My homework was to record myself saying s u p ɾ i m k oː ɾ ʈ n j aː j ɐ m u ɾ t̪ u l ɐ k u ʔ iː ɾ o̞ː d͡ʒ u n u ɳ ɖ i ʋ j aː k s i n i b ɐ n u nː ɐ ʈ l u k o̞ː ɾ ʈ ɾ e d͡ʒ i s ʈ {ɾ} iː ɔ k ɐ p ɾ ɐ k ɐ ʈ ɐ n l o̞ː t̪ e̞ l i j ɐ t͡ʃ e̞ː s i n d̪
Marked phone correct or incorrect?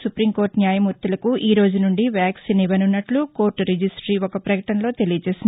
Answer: correct